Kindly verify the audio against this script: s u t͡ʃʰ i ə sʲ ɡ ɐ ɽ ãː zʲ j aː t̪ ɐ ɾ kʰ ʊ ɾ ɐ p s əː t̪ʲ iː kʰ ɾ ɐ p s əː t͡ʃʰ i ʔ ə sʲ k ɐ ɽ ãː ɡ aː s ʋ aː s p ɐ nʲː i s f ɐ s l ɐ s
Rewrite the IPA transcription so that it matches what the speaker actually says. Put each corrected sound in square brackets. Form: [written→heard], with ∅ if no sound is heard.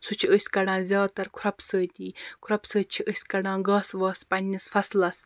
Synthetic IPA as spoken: s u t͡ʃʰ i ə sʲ [ɡ→k] ɐ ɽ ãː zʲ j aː t̪ ɐ ɾ kʰ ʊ ɾ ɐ p s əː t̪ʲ iː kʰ ɾ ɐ p s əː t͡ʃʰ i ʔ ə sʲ k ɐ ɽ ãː ɡ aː s ʋ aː s p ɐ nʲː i s f ɐ s l ɐ s